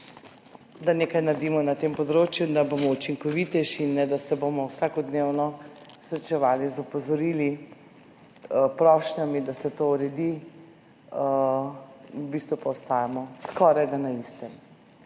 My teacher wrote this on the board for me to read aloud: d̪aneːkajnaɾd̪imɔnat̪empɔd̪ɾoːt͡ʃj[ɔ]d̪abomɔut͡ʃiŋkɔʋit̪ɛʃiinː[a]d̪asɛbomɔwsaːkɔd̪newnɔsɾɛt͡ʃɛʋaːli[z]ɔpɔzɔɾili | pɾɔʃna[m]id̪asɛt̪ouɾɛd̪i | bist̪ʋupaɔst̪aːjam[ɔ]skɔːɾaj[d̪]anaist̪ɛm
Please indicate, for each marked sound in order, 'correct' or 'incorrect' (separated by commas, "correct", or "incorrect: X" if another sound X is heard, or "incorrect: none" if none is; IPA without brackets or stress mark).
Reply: incorrect: u, incorrect: ɛ, correct, correct, correct, correct